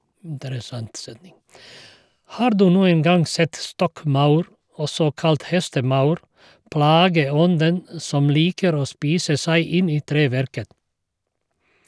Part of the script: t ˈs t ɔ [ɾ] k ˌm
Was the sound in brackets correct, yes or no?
no